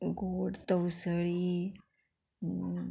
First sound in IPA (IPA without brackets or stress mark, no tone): ɡ